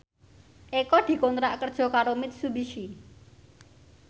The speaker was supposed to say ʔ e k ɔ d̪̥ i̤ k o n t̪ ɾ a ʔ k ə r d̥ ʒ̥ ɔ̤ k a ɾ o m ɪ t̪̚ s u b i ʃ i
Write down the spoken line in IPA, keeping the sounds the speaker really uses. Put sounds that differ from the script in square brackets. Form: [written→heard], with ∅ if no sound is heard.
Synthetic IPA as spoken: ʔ e k ɔ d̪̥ i̤ k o n t̪ ɾ a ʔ k ə r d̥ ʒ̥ ɔ̤ k a ɾ o m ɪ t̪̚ s u b i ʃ i